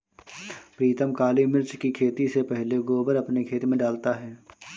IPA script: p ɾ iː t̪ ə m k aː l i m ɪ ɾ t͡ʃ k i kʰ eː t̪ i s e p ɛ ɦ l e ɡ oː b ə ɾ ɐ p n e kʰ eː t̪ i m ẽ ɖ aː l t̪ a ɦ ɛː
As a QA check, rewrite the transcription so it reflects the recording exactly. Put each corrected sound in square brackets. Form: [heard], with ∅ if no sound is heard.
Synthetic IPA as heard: p ɾ iː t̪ ə m k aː l i m ɪ ɾ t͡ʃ k i kʰ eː t̪ i s e p ɛ ɦ l e ɡ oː b ə ɾ ɐ p n e kʰ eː t̪ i m ẽ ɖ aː l t̪ a ɦ ɛː